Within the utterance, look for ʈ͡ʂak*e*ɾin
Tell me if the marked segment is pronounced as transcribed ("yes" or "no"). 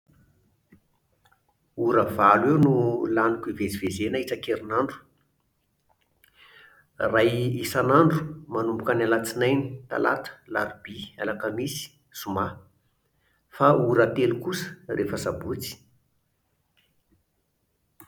yes